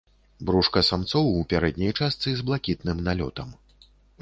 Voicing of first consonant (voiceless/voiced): voiced